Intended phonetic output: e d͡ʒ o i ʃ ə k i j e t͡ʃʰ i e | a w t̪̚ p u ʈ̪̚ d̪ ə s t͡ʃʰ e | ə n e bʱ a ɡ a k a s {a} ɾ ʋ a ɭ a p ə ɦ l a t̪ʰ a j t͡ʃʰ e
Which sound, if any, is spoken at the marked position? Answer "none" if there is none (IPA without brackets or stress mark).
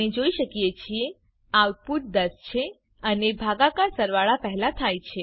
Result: ə